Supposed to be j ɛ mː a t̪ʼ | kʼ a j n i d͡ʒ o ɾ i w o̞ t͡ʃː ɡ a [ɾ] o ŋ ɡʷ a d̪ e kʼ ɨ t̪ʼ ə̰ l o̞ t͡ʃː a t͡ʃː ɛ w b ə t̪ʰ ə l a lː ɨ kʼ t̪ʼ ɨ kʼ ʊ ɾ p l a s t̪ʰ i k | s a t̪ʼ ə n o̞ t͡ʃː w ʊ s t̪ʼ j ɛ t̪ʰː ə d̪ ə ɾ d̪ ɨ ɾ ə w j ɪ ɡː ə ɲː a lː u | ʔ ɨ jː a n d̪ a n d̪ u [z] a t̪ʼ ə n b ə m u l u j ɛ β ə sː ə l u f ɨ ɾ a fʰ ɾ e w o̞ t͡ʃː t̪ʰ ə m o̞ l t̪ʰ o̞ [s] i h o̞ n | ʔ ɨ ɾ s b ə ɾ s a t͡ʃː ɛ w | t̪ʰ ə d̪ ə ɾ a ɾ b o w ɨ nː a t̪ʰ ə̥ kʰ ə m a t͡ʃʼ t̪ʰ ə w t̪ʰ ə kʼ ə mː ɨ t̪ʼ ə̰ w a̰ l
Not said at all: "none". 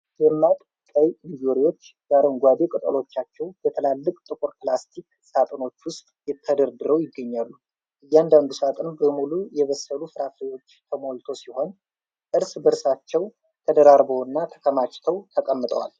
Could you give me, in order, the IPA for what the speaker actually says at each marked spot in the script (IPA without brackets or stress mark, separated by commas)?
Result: ɾ, s, s